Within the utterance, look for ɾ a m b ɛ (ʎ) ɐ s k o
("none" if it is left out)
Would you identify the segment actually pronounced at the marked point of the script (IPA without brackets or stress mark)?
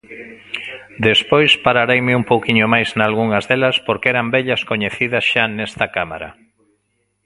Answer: ʎ